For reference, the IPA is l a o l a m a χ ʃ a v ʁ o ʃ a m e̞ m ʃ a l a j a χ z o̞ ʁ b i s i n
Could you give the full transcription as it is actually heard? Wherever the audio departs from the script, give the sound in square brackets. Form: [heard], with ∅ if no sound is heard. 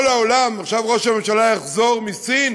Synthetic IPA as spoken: l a o l a m a χ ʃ a v ʁ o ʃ a m e̞ m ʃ a l a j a χ z o̞ ʁ [m] i s i n